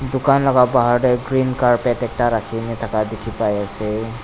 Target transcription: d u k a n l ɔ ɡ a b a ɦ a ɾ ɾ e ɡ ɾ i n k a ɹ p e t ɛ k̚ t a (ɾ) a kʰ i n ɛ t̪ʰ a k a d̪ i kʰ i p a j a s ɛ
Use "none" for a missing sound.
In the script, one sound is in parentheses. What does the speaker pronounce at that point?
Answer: ɾ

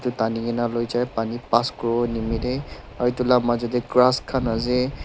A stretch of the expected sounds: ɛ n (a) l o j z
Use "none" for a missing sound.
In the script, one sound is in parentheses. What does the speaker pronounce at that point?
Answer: a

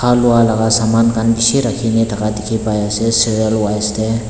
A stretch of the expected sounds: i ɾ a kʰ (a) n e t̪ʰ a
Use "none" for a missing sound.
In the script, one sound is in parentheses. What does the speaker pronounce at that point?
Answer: i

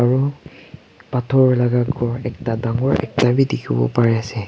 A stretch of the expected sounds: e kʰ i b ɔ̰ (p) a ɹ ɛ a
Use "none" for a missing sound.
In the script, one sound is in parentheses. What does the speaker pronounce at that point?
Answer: p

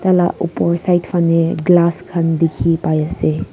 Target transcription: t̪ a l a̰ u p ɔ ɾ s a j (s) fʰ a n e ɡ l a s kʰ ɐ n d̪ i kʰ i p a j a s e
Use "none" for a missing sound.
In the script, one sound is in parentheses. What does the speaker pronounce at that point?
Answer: t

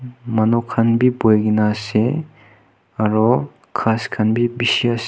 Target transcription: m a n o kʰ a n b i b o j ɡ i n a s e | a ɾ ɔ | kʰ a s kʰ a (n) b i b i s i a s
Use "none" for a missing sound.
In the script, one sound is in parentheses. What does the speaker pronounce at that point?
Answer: n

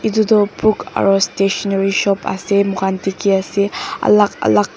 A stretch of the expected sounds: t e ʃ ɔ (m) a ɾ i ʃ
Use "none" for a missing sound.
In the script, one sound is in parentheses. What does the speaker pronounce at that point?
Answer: n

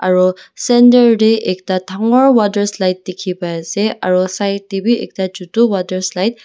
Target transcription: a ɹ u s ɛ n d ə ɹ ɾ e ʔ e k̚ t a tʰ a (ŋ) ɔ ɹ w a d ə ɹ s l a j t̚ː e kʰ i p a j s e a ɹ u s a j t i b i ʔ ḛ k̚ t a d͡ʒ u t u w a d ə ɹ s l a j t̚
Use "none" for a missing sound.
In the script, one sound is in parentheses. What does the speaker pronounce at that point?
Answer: ŋ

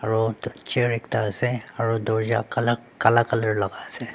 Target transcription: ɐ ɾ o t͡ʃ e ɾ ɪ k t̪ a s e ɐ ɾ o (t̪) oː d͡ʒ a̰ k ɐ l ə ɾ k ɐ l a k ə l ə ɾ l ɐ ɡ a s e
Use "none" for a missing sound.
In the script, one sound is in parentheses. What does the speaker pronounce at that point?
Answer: d̪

